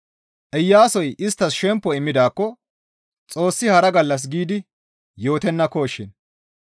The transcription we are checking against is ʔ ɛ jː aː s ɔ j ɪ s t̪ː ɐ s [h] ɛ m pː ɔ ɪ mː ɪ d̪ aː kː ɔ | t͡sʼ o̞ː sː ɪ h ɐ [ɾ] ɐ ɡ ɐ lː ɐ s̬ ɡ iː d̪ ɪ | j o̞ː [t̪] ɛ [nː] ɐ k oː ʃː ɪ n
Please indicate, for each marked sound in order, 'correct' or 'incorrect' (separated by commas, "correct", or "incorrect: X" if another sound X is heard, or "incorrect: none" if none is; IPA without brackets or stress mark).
incorrect: ʃ, correct, correct, correct